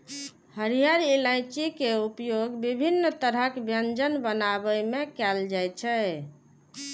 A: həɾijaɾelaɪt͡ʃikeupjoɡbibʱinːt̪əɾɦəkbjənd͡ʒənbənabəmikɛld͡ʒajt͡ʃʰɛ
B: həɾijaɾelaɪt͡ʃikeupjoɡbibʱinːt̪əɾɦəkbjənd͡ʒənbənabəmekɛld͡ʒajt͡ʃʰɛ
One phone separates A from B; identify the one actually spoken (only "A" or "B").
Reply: B